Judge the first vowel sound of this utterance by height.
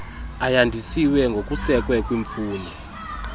low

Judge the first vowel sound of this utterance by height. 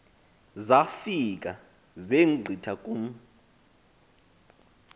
low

